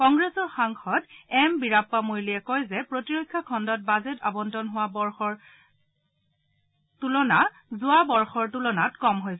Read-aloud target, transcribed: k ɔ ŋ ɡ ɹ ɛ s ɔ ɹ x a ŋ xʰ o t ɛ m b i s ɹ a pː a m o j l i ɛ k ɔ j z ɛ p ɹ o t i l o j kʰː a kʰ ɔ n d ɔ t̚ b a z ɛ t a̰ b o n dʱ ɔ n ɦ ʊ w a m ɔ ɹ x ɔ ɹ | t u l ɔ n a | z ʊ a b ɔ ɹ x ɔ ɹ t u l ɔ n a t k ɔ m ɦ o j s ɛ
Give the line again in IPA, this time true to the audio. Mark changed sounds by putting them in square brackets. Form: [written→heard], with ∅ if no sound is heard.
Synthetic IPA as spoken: k ɔ ŋ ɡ ɹ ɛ s ɔ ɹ x a ŋ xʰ [o→ɔ] t ɛ m b i [s→∅] ɹ a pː a m o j l i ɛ k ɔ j z ɛ p ɹ o t i [l→ɹ] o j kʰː a kʰ ɔ n d ɔ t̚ b a z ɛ t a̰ b [o→ɔ] n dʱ ɔ n ɦ ʊ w a [m→b] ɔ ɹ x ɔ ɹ | t u l ɔ n a | z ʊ a b ɔ ɹ x ɔ ɹ t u l ɔ n a t k ɔ m ɦ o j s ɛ